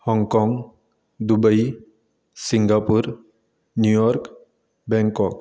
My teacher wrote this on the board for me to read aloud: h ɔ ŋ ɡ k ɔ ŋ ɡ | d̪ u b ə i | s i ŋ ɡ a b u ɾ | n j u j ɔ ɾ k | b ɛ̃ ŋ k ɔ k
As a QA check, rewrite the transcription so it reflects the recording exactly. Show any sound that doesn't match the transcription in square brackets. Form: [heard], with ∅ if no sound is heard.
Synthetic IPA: h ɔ ŋ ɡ k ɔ ŋ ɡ | d̪ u b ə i | s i ŋ ɡ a [p] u ɾ | n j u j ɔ ɾ k | b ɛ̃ ŋ k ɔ k